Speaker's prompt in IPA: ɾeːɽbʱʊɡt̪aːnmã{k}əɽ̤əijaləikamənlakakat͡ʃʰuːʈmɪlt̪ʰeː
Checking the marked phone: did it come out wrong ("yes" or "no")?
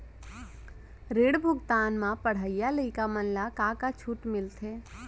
yes